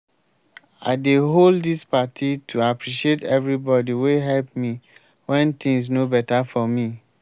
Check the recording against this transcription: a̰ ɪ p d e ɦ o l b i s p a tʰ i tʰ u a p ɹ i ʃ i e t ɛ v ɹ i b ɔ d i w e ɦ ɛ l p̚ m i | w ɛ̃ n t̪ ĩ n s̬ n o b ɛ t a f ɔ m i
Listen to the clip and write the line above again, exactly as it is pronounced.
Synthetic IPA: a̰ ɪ d e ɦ o l d i s p a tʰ i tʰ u a p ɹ i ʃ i e t ɛ v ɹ i b ɔ d i w e ɦ ɛ l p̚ m i | w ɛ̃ n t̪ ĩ ŋ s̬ n o b ɛ t a f ɔ m i